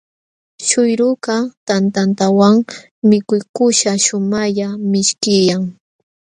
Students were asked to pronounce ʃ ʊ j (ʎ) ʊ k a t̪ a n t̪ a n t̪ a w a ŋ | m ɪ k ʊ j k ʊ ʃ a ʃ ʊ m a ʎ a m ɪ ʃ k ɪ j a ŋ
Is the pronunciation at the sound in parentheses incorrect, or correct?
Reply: incorrect: ɾ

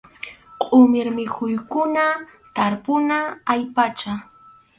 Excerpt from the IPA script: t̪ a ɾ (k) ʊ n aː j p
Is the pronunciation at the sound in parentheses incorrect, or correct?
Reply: incorrect: p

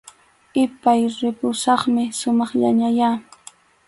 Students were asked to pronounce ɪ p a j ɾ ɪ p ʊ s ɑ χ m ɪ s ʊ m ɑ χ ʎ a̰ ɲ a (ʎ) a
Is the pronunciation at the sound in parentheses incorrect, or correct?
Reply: incorrect: j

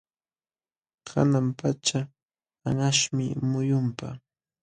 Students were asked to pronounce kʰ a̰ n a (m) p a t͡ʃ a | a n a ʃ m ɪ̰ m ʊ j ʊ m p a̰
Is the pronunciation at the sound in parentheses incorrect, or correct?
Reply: correct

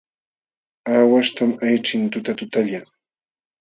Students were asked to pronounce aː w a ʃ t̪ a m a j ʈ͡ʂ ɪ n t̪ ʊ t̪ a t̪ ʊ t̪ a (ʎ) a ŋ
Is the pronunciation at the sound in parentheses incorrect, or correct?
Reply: correct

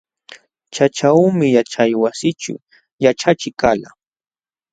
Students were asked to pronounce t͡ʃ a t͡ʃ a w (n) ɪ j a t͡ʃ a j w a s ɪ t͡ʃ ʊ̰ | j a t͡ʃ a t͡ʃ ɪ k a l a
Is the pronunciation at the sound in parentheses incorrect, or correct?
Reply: incorrect: m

